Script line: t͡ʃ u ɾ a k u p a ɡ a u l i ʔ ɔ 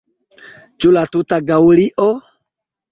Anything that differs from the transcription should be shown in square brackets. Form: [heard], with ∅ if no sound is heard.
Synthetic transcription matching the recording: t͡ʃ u [l] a [t] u [t] a ɡ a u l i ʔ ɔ